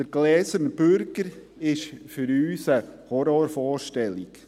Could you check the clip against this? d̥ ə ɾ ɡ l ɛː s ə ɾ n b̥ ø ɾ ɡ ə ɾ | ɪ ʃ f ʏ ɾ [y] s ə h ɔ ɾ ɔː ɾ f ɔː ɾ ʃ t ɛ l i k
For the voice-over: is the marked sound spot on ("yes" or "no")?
no